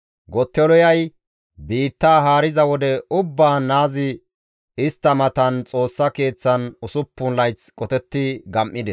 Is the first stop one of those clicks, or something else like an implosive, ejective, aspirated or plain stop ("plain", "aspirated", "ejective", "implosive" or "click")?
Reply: plain